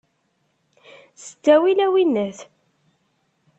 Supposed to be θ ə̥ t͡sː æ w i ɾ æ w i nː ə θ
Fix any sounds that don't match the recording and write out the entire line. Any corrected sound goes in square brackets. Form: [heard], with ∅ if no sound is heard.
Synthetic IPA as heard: [s] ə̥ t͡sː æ w i [l] æ w i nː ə θ